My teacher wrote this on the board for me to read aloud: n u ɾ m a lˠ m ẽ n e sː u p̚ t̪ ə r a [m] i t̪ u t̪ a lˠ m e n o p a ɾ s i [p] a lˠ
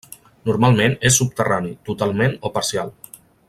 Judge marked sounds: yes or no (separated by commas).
no, no